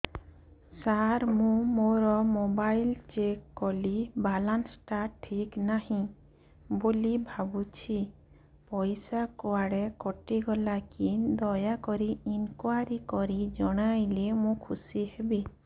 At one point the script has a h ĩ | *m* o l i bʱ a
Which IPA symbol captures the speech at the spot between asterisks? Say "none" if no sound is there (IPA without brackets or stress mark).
b